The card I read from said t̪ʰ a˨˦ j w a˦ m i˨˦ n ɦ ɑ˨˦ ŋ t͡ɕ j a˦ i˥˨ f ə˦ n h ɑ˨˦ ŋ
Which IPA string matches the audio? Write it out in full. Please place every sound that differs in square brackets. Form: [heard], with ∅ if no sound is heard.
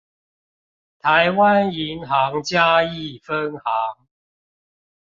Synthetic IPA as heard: t̪ʰ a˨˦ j w a˦ [n] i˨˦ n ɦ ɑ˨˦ ŋ t͡ɕ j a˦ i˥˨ f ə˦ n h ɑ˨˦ ŋ